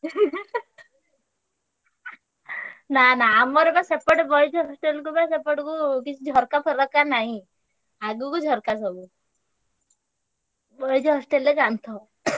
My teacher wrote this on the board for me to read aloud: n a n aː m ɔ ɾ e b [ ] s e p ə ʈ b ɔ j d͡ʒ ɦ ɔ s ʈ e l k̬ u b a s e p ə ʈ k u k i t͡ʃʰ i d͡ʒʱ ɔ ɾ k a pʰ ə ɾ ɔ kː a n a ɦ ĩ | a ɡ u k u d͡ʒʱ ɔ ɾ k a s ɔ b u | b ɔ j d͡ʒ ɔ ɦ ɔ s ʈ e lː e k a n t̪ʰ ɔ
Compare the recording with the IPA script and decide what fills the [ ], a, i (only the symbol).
a